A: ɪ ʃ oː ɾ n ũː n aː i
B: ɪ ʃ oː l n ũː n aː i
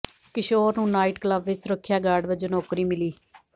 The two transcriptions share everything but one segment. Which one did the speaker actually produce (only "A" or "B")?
A